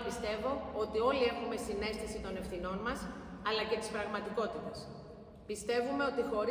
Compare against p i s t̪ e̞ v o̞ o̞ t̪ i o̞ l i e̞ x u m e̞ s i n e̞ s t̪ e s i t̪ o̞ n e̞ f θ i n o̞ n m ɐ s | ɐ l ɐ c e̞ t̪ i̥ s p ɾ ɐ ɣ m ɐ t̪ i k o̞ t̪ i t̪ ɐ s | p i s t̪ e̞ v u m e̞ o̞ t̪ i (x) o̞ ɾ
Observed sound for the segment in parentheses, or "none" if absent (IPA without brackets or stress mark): x